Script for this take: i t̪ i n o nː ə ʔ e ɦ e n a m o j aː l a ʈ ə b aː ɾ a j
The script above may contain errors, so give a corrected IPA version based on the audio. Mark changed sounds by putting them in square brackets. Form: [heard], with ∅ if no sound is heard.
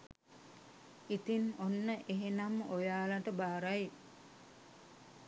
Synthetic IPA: i t̪ i n o nː ə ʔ e ɦ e n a m o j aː l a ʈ ə b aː ɾ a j